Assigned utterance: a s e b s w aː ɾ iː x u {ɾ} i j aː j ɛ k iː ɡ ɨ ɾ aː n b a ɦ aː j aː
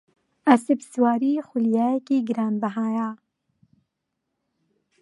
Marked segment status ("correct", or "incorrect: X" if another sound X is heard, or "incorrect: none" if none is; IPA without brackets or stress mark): incorrect: l